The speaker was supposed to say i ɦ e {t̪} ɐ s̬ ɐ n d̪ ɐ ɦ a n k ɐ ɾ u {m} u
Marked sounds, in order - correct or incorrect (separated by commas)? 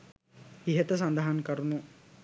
correct, incorrect